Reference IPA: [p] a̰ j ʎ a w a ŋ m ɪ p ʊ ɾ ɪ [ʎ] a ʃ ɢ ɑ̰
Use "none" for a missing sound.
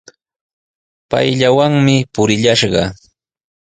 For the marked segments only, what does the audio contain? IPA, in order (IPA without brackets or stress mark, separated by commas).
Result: p, ʎ